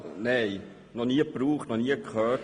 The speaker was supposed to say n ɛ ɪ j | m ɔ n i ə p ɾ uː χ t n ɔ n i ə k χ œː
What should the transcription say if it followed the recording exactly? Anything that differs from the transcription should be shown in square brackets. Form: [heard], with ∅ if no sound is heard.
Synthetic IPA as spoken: n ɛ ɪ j | [n] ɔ n i ə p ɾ uː χ t n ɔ n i ə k χ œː

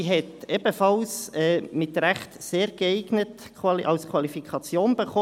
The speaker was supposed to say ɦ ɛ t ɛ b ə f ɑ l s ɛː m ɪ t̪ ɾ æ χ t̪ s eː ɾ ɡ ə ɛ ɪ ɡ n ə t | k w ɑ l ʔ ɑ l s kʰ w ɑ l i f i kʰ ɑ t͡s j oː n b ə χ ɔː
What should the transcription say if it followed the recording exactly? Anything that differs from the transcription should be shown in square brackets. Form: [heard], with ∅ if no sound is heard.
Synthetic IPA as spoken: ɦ ɛ t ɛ b ə f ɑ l s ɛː m ɪ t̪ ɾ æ χ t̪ s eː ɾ ɡ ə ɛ ɪ ɡ n ə t | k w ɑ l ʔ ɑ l s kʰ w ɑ l i f i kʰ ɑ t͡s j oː n b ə χ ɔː

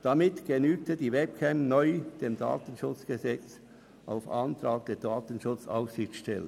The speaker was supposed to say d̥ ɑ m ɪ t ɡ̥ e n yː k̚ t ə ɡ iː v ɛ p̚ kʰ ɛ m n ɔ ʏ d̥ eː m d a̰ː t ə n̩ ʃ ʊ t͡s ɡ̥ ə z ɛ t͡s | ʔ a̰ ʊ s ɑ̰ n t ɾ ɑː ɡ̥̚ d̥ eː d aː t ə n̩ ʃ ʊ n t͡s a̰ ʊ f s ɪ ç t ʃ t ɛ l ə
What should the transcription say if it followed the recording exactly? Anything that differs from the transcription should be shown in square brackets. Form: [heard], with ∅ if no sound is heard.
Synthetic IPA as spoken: d̥ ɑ m ɪ t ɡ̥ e n yː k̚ t ə [d] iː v ɛ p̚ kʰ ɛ m n ɔ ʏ d̥ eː m d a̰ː t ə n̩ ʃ ʊ t͡s ɡ̥ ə z ɛ t͡s | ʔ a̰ ʊ [f] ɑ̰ n t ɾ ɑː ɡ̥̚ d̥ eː d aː t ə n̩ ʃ ʊ [∅] t͡s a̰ ʊ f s ɪ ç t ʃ t ɛ l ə

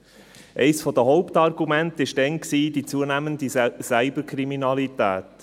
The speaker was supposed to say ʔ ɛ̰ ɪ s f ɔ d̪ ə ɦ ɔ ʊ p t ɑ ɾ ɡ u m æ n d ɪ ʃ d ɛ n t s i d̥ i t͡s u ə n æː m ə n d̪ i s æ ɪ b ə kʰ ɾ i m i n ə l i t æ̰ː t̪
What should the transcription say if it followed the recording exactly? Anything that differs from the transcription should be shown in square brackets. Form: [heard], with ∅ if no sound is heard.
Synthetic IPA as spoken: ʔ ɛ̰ ɪ s f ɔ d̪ ə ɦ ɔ ʊ p t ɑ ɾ ɡ u m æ n [t] ɪ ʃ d ɛ n [k] s [iː] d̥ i t͡s u ə n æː m ə n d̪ i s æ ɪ b ə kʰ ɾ i m i n [ɑ] l i t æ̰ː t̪

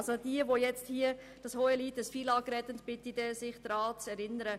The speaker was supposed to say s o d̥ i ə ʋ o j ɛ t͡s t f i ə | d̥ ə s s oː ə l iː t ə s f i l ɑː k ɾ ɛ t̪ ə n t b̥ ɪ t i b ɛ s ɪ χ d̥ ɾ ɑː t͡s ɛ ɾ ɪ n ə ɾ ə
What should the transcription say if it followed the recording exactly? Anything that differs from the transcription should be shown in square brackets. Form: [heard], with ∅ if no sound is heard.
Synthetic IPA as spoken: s o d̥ i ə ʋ o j ɛ t͡s t [h] i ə | d̥ [ɑ] s [h] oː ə l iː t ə s f i l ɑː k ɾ ɛ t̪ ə n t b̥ ɪ t i [d] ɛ s ɪ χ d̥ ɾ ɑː t͡s ɛ ɾ ɪ n ə ɾ ə

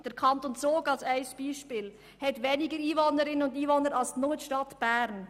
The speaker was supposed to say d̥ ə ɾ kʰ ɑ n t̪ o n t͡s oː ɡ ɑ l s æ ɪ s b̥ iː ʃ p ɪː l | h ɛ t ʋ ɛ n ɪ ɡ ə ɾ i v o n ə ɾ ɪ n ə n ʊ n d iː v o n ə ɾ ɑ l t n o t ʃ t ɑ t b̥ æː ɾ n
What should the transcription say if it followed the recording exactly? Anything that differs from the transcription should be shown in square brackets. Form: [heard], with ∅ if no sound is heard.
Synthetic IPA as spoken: d̥ ə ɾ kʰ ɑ n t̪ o n t͡s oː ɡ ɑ l s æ ɪ s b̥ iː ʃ p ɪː l | h ɛ t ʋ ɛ n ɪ ɡ ə ɾ [iː] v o n ə ɾ ɪ n ə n ʊ n d iː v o n ə ɾ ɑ l [s] n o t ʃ t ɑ t b̥ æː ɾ n

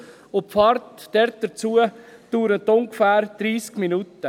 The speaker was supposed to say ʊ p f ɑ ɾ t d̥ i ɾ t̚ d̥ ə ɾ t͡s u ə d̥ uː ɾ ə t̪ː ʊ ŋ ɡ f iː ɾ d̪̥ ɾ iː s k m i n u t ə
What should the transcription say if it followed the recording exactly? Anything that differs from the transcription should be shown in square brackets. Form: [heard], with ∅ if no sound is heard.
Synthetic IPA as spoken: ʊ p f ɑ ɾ t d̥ [ɛ] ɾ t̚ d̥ ə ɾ t͡s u ə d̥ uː ɾ ə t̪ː ʊ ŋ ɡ f [æː] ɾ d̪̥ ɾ iː s k m i n u t ə

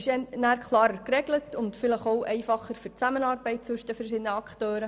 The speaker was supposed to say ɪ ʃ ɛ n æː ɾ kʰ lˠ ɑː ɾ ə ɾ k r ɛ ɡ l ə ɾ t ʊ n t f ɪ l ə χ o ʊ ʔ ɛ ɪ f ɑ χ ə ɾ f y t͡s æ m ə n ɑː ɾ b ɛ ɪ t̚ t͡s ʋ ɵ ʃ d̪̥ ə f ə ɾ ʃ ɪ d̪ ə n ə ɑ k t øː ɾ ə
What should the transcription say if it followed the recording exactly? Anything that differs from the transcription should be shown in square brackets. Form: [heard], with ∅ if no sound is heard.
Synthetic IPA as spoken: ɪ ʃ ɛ n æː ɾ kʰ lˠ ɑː ɾ ə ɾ k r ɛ ɡ l ə [∅] t ʊ n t f ɪ l ə χ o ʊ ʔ ɛ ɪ f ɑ χ ə ɾ f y t͡s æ m ə n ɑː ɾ b ɛ ɪ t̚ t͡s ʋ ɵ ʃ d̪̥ ə f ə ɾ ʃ ɪ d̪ ə n ə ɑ k t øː ɾ ə

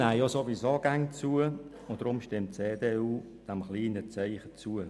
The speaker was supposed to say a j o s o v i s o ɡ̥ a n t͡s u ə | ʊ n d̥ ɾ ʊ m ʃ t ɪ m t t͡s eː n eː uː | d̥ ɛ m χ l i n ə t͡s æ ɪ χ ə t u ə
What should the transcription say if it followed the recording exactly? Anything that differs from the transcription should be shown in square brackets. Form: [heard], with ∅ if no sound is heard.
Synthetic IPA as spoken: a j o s o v i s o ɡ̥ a [ŋ] t͡s u ə | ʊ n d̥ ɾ ʊ m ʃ t ɪ m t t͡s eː [d] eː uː | d̥ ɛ m χ l [iː] n ə t͡s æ ɪ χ ə [t͡s] u ə

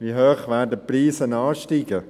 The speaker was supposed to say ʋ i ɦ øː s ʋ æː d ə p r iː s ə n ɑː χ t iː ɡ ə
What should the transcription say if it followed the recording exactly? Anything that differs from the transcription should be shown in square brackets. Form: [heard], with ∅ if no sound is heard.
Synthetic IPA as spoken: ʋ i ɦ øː [χ] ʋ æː d ə p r iː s ə n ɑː [ʃ] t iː ɡ ə

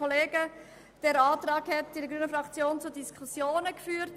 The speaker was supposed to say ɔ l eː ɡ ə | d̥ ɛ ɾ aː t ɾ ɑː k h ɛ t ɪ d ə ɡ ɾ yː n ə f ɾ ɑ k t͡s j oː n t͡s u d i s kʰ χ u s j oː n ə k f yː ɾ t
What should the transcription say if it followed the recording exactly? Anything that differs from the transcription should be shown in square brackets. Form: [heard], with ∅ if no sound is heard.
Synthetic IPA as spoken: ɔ l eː ɡ ə | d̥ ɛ ɾ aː t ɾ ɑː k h ɛ t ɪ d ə ɡ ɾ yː n ə f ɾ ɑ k t͡s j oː n t͡s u d i s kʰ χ u s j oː n ə k f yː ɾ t

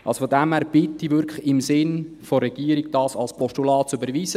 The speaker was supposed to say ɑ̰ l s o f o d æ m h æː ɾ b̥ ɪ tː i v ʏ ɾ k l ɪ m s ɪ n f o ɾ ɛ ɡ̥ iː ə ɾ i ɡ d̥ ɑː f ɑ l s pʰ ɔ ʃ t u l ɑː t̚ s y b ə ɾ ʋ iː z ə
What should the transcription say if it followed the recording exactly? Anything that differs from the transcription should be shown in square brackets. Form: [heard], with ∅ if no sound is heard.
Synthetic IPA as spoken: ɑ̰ l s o f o d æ m h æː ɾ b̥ ɪ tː i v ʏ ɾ k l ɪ m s ɪ n f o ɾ ɛ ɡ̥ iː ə ɾ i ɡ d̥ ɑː [s] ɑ l s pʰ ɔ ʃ t u l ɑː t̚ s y b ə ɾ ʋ iː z ə

